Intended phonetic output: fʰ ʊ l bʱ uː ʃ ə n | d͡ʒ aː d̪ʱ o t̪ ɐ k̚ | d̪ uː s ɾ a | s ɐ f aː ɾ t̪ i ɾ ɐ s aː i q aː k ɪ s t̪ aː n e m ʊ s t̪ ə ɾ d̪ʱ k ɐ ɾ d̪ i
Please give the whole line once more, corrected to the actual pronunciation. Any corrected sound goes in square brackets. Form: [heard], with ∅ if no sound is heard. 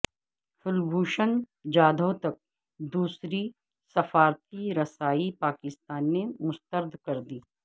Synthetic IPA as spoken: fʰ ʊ l bʱ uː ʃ ə n | d͡ʒ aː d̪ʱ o t̪ ɐ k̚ | d̪ uː s ɾ [i] | s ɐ f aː ɾ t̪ i ɾ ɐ s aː i [p] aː k ɪ s t̪ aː [nː] e m ʊ s t̪ ə ɾ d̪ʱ k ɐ ɾ d̪ [iː]